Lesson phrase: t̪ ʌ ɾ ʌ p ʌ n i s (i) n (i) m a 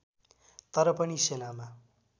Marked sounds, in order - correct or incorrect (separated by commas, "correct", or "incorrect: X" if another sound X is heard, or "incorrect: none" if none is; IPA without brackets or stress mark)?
incorrect: e, incorrect: a